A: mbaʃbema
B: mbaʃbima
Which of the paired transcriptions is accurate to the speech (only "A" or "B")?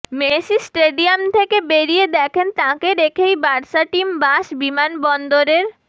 B